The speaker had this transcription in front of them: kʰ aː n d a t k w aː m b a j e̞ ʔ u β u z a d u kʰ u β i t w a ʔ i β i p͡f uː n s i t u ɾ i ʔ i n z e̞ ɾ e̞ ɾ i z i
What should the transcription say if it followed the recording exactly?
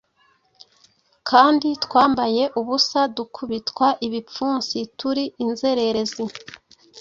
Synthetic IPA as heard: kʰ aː n d i t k w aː m b a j e̞ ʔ u β u s a d u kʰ u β i t w a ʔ i β i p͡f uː n s i t u ɾ i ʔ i n z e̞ ɾ e̞ ɾ e z i

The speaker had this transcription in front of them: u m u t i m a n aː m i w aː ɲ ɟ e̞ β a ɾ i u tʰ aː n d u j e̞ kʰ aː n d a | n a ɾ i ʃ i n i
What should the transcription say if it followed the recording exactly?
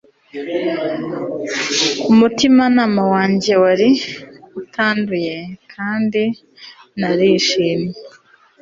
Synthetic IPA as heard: u m u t i m a n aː m a w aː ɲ ɟ e̞ w a ɾ i u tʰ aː n d u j e̞ kʰ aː n d i | n a ɾ i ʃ i n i

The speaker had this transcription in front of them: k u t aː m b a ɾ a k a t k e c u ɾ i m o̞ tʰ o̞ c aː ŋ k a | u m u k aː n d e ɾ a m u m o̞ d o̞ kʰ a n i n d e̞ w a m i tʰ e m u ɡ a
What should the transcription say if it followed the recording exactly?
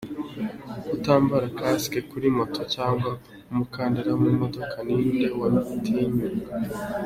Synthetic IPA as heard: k u t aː m b a ɾ a k a s k e k u ɾ i m o̞ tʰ o̞ c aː ŋ ɡ a | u m u k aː n d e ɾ a m u m o̞ d o̞ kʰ a n i n d e̞ w a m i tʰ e ɲ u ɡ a

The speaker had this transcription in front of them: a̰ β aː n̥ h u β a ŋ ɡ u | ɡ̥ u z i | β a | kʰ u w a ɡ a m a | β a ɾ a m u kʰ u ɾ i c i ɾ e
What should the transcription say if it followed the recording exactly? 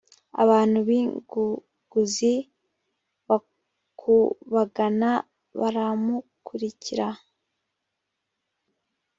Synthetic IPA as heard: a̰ β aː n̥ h u β i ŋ ɡ u | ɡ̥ u z i | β a | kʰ u β a ɡ a n a | β a ɾ a m u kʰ u ɾ i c i ɾ a

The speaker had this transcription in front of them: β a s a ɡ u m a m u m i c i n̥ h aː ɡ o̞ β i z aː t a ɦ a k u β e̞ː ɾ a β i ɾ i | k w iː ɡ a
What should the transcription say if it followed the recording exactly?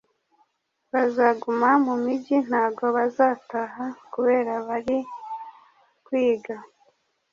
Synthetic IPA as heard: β a z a ɡ u m a m u m i ɟ i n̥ h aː ɡ o̞ β a z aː t a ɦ a k u β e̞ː ɾ a β a ɾ i | k w iː ɡ a

